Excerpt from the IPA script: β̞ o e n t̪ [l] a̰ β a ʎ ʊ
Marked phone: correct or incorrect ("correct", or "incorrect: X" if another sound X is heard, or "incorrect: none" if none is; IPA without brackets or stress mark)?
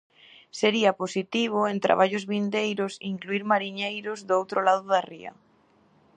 incorrect: ɾ